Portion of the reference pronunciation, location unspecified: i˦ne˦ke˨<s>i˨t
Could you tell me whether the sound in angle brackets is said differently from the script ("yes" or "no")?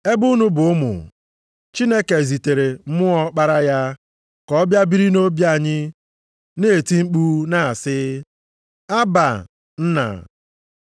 yes